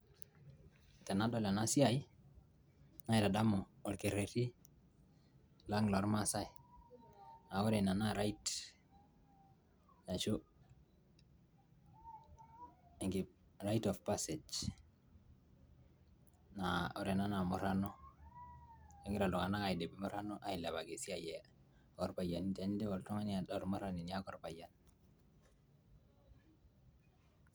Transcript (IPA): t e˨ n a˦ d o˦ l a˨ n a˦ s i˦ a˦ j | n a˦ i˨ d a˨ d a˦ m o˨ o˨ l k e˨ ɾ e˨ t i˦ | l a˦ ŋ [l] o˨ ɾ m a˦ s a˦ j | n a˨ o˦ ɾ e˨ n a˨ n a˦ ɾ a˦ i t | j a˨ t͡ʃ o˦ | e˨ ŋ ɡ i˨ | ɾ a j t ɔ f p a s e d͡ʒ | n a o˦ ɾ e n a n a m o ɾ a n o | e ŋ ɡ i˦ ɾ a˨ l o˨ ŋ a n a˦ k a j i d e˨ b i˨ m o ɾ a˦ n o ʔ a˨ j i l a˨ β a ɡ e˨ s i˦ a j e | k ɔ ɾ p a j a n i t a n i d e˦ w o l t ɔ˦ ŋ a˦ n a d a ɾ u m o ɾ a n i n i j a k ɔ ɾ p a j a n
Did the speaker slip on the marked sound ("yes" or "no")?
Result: no